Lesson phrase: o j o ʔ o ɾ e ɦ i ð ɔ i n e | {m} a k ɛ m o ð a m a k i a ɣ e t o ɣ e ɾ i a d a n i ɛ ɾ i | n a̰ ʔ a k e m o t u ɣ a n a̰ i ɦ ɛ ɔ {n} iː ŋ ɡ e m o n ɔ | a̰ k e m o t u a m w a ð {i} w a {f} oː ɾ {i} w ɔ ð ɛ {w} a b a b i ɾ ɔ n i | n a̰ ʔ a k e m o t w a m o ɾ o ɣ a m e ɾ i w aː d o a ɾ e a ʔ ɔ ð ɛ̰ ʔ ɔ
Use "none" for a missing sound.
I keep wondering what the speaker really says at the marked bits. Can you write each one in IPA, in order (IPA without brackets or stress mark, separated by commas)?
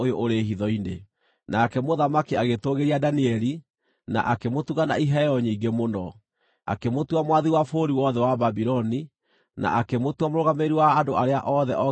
n, ɲ, i, f, i, w